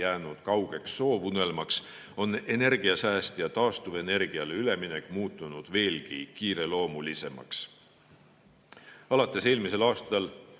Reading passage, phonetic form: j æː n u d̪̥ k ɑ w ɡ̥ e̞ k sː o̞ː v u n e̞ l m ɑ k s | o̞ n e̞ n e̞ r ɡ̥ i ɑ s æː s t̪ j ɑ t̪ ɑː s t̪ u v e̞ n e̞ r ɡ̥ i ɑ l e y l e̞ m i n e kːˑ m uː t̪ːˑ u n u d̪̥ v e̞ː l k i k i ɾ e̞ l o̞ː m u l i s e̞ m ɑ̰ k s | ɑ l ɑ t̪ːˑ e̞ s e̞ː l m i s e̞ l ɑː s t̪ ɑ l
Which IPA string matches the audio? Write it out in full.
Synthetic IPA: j æː n u d̪̥ k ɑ w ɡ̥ e̞ k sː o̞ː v u n e̞ l m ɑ k s | o̞ n e̞ n e̞ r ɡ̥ i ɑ s æː s t̪ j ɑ t̪ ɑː s t̪ u v e̞ n e̞ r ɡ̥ i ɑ l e y l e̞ m i n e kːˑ m uː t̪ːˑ u n u d̪̥ v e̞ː l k i k iː ɾ e̞ l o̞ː m u l i s e̞ m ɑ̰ k s | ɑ l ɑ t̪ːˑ e̞ s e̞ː l m i s e̞ l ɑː s t̪ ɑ l